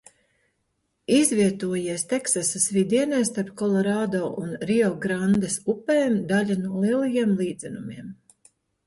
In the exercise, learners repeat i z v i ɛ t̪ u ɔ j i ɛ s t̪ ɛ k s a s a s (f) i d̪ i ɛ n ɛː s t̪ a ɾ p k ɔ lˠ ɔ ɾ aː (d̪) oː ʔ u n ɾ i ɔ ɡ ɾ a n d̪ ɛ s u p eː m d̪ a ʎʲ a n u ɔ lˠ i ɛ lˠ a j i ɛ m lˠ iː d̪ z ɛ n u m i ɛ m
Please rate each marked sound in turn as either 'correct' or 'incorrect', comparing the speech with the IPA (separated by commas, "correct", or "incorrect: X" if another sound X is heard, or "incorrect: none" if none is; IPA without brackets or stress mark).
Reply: incorrect: v, correct